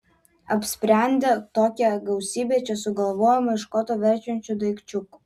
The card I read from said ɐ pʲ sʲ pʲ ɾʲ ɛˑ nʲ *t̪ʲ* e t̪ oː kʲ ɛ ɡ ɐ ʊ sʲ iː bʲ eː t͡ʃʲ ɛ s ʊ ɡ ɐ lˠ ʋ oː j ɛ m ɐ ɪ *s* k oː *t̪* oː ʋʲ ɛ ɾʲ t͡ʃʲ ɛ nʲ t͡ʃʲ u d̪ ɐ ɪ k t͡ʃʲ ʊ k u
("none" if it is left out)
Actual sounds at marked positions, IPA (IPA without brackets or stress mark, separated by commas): d̪ʲ, ʃ, t̪